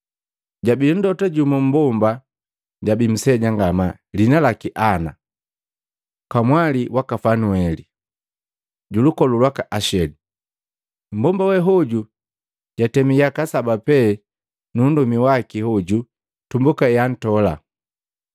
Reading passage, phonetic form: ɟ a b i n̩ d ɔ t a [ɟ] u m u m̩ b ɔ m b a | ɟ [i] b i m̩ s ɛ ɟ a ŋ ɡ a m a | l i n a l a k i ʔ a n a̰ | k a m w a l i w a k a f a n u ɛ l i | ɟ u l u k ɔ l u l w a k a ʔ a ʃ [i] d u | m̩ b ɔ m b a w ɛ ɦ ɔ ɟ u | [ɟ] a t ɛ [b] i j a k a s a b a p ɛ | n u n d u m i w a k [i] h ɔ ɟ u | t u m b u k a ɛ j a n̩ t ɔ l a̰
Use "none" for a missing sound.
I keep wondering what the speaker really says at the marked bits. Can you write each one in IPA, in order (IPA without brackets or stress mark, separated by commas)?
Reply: ɟ, a, ɛ, ɟ, m, i